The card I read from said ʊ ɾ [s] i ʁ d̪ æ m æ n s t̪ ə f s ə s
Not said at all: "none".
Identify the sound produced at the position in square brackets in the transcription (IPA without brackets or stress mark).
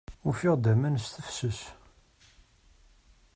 f